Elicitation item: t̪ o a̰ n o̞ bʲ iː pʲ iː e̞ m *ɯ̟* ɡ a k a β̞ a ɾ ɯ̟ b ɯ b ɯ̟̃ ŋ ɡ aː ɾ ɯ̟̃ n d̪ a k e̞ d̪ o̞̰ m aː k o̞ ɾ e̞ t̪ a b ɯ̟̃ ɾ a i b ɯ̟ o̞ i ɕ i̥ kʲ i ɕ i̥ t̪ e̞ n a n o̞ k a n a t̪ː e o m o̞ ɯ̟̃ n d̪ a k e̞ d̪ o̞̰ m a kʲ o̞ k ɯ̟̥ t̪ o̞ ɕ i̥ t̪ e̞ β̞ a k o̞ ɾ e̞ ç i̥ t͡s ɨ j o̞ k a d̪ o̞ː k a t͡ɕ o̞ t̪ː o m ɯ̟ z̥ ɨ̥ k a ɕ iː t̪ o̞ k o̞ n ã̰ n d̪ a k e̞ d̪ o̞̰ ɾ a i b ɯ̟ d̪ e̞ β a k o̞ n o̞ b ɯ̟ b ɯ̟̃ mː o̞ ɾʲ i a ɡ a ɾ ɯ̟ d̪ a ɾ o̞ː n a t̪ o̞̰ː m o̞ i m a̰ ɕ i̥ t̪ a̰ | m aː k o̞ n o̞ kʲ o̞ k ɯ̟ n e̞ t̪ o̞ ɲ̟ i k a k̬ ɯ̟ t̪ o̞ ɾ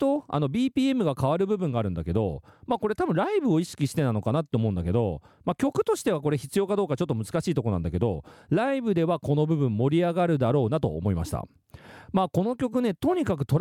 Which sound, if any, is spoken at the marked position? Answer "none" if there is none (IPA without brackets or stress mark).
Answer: ɯ̟